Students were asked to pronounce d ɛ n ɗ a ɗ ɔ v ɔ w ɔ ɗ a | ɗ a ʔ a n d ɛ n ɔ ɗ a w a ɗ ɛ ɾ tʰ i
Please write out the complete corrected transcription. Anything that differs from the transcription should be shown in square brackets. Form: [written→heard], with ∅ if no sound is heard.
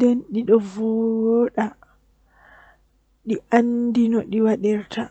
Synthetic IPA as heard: d ɛ n ɗ [a→i] ɗ ɔ v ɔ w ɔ ɗ a | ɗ [a→i] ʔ a n d [ɛ→i] n ɔ ɗ [a→i] w a ɗ ɛ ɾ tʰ [i→a]